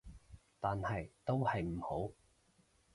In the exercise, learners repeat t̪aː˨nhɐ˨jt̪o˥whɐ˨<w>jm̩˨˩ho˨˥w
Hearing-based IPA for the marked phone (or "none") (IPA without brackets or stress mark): none